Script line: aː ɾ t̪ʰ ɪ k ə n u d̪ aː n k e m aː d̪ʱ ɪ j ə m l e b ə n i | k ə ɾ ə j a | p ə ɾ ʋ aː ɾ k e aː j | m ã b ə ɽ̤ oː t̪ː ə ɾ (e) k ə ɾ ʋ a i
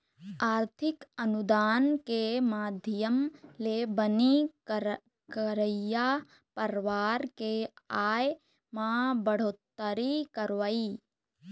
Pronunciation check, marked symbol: incorrect: i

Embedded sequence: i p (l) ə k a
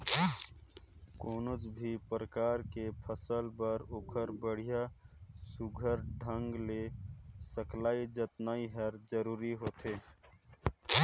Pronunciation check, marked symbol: incorrect: ɾ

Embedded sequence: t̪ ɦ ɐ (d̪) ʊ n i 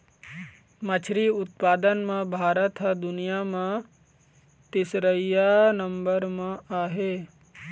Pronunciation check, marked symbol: correct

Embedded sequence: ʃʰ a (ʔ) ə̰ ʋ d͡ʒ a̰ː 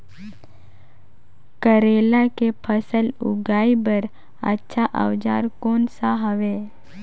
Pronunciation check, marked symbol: correct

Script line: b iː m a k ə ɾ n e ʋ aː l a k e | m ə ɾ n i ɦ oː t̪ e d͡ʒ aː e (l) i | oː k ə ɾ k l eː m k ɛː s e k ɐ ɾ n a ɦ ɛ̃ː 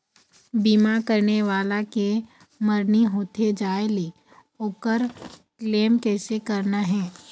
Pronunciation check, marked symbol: correct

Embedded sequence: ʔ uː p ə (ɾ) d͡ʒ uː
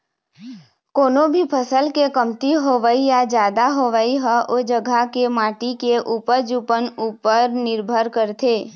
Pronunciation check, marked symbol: correct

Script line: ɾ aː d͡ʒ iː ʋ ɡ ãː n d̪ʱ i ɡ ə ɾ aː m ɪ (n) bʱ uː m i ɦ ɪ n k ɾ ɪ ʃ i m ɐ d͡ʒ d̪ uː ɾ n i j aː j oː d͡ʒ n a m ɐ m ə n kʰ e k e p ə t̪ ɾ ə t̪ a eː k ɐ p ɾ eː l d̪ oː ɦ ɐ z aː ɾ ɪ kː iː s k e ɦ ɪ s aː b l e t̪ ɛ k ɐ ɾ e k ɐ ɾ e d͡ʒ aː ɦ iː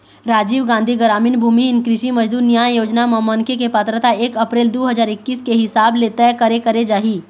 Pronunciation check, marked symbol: correct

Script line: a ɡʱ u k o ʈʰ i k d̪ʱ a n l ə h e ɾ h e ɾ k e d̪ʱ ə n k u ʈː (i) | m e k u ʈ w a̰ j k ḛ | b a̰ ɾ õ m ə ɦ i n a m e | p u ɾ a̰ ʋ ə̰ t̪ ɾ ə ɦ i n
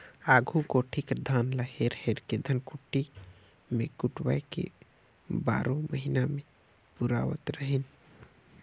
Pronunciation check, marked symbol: correct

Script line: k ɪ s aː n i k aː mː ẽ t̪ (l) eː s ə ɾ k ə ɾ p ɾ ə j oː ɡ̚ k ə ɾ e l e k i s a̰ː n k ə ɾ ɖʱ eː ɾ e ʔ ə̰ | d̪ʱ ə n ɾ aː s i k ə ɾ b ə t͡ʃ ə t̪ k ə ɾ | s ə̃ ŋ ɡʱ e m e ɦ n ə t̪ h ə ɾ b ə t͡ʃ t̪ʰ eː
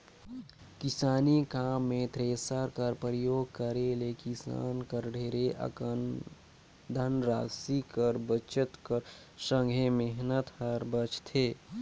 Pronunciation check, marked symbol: incorrect: ɾ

